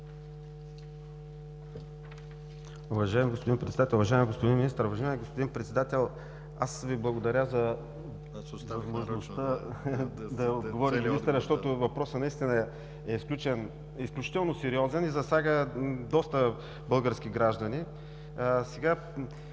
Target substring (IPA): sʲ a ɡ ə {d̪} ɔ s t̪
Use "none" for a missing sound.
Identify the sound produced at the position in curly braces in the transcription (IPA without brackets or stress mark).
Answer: d̪